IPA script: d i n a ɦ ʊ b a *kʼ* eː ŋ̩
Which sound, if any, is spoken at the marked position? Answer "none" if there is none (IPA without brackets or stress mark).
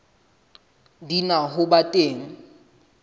tʼ